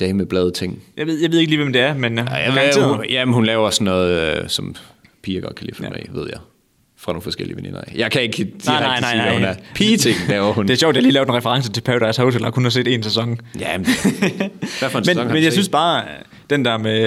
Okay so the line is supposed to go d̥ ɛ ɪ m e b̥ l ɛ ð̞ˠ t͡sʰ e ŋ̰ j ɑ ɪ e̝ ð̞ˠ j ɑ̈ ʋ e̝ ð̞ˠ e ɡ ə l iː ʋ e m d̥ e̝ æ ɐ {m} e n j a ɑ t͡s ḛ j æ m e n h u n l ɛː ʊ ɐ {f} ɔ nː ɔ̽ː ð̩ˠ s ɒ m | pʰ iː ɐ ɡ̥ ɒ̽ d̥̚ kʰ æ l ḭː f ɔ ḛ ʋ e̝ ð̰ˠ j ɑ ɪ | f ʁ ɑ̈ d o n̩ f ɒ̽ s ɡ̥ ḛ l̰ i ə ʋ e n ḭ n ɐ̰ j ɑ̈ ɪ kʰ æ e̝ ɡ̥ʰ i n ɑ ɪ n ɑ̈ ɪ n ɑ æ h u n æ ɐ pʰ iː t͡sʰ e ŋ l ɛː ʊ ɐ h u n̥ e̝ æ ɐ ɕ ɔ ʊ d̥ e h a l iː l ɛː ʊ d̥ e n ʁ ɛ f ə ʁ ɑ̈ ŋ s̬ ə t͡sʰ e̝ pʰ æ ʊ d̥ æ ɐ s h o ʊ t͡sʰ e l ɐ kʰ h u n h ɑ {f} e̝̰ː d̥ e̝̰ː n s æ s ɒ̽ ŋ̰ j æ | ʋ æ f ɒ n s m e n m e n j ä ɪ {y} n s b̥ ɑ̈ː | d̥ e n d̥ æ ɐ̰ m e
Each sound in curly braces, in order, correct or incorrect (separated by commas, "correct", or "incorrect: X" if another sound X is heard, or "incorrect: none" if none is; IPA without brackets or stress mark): correct, incorrect: s, incorrect: s, correct